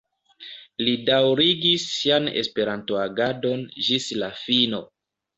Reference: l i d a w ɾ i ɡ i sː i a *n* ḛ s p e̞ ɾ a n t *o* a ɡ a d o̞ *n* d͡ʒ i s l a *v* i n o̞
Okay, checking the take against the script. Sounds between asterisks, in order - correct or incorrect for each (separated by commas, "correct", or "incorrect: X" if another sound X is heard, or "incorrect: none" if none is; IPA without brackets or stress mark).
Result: correct, correct, correct, incorrect: f